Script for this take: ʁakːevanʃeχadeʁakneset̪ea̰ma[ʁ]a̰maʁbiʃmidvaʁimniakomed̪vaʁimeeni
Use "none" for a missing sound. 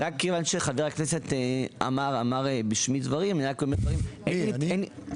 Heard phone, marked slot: ʁ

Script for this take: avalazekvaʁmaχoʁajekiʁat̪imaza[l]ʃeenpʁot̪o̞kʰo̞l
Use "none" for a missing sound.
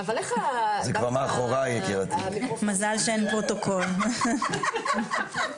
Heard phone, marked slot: l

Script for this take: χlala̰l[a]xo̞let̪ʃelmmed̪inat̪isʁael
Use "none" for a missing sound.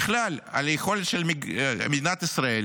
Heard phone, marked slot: e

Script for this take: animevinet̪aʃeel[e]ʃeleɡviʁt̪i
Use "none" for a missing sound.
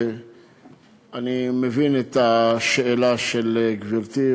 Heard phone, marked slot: a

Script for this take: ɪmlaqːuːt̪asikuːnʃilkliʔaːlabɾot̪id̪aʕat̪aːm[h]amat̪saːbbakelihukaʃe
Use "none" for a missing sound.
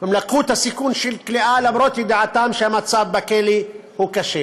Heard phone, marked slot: ʃ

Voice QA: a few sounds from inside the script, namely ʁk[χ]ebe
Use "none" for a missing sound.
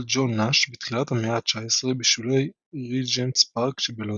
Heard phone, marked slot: ʃ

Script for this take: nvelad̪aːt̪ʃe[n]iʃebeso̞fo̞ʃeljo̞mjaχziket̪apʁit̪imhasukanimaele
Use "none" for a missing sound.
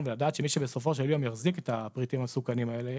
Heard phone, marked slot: m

